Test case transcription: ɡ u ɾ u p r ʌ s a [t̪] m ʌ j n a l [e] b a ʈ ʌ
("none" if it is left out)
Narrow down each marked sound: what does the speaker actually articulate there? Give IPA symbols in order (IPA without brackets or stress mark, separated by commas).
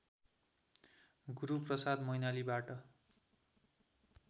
d̪, i